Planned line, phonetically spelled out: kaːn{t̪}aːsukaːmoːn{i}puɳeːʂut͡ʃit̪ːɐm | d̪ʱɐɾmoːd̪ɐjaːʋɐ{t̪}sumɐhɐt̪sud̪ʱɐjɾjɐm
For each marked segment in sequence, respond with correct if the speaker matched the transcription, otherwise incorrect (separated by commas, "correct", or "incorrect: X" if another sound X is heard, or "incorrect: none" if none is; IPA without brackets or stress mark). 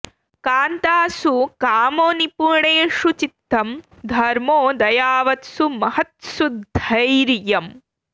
correct, correct, correct